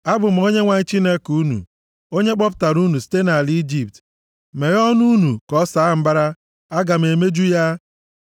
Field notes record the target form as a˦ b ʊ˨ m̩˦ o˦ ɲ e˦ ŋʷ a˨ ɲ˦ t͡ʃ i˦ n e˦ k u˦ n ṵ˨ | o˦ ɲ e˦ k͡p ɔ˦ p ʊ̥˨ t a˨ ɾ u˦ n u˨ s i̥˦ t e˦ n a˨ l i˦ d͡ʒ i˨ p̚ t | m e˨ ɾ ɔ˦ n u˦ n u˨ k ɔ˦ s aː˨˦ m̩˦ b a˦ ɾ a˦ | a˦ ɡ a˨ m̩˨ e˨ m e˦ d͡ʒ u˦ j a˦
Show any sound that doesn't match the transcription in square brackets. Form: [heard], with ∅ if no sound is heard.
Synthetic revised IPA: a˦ b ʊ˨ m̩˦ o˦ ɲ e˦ ŋʷ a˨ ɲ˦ t͡ʃ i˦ n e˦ k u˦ n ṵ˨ | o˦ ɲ e˦ k͡p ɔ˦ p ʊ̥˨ t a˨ ɾ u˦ n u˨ s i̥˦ t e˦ n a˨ l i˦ d͡ʒ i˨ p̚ t | m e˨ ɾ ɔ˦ n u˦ n u˨ k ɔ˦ s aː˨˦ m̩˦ b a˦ ɾ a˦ | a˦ ɡ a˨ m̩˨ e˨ m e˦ d͡ʒ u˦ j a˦

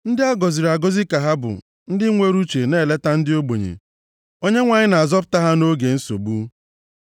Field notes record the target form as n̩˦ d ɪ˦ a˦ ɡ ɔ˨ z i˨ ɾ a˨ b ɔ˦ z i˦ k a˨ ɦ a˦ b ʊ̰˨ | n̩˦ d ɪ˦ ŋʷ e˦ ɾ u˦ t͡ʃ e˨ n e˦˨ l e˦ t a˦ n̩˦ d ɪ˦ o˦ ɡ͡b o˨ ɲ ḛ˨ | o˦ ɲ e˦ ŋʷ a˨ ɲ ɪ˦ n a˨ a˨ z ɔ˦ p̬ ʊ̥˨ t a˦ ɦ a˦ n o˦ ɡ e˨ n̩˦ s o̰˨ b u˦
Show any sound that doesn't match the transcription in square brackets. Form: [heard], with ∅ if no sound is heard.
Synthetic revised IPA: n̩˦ d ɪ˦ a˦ ɡ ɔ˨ z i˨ ɾ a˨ [ɡ] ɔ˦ z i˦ k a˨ ɦ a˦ b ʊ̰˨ | n̩˦ d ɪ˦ ŋʷ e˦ ɾ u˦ t͡ʃ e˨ n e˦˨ l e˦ t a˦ n̩˦ d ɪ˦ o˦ ɡ͡b o˨ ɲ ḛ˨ | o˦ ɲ e˦ ŋʷ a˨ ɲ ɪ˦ n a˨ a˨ z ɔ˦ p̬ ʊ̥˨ t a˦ ɦ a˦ n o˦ ɡ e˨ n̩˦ s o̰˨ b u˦

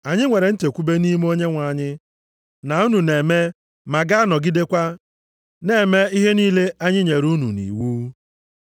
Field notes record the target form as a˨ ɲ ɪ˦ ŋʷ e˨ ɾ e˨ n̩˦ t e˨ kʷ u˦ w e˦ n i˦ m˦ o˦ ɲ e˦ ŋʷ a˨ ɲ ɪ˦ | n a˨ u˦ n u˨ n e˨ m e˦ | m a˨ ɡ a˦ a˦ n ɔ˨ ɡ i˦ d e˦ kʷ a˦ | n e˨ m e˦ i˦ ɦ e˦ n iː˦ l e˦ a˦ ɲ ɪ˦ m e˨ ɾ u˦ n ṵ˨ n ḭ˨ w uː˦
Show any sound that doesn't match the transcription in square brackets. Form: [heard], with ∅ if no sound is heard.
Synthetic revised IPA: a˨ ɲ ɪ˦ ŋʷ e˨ ɾ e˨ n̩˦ t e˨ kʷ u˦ [b] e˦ n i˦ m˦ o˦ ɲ e˦ ŋʷ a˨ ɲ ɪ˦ | n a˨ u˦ n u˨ n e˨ m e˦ | m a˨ ɡ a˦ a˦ n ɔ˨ ɡ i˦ d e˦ kʷ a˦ | n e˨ m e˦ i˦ ɦ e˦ n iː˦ l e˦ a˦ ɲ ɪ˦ [ɲ] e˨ ɾ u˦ n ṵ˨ n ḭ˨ w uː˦

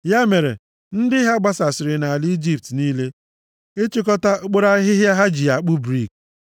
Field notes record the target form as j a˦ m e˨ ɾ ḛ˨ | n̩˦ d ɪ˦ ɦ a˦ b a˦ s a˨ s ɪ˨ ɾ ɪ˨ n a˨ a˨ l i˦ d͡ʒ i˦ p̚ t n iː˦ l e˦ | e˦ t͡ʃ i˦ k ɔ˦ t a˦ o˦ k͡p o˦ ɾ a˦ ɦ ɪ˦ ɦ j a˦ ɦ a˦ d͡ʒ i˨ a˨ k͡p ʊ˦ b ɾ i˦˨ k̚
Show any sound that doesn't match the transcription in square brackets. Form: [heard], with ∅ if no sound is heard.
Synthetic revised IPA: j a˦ m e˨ ɾ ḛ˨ | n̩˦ d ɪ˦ ɦ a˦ [ɡ͡b] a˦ s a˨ s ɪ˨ ɾ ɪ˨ n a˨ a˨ l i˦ d͡ʒ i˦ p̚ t n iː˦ l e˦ | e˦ t͡ʃ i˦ k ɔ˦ t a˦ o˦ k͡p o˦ ɾ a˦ ɦ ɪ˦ ɦ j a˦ ɦ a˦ d͡ʒ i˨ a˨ k͡p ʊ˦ b ɾ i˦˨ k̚

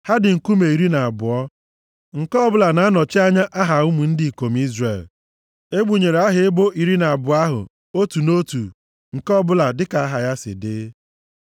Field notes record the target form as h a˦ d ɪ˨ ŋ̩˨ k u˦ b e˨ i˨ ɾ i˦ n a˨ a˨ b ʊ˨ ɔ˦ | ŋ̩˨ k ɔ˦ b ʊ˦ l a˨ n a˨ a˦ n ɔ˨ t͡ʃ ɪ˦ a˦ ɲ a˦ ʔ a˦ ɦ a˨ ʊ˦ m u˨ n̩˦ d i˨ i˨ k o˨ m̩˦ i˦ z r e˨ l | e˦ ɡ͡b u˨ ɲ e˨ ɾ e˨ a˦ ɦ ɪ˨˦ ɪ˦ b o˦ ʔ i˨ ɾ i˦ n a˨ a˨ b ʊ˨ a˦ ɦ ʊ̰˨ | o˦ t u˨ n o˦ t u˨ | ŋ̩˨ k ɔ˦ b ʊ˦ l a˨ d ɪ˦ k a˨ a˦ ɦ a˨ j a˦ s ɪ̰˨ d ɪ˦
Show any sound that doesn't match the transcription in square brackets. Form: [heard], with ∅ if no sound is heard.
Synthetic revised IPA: h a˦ d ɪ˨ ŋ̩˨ k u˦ [m] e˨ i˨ ɾ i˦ n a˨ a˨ b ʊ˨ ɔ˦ | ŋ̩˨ k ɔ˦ b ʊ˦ l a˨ n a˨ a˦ n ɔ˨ t͡ʃ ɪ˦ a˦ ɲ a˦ ʔ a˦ ɦ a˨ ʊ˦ m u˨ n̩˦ d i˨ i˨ k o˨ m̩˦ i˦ z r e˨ l | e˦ ɡ͡b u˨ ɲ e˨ ɾ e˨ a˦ ɦ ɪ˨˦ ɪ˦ b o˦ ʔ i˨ ɾ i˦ n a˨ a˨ b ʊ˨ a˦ ɦ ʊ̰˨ | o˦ t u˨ n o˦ t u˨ | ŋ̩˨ k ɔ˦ b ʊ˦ l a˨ d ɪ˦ k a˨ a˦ ɦ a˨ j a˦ s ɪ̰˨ d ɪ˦

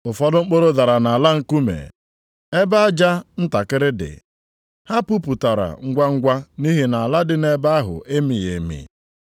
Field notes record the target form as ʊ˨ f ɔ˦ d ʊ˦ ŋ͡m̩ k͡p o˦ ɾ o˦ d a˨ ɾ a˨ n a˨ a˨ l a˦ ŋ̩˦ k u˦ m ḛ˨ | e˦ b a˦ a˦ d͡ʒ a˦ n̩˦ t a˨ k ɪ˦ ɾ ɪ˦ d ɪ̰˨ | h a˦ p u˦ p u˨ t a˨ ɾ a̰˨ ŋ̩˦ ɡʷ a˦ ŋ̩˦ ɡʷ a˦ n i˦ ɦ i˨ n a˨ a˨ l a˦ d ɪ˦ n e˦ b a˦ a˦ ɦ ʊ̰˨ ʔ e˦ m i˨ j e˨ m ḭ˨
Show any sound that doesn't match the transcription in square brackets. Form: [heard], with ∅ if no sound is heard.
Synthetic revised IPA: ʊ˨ f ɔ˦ d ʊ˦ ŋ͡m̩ k͡p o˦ ɾ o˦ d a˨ ɾ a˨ n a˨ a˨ l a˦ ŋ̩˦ k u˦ m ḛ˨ | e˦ b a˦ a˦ d͡ʒ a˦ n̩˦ t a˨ k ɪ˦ ɾ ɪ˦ d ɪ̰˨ | h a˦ p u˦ p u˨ t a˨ ɾ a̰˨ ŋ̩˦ ɡʷ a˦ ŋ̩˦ ɡʷ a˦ n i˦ ɦ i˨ n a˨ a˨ l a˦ d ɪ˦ n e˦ b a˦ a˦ ɦ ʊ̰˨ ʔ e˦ m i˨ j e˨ m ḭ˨

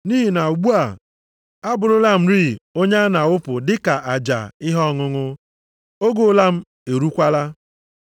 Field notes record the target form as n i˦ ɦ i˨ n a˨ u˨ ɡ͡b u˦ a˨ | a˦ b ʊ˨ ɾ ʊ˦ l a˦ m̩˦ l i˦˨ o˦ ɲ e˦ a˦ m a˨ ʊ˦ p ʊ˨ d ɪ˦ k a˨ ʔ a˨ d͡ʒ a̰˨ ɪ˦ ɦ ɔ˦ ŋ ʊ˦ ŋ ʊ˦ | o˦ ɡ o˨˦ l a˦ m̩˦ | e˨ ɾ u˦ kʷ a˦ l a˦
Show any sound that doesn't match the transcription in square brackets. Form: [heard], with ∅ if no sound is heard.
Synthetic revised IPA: n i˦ ɦ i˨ n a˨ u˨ ɡ͡b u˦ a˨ | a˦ b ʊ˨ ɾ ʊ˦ l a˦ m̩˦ [ɾ] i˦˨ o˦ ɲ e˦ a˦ [n] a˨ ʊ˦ p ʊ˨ d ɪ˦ k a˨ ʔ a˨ d͡ʒ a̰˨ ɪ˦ ɦ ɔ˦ ŋ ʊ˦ ŋ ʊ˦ | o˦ ɡ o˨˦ l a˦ m̩˦ | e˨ ɾ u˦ kʷ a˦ l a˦

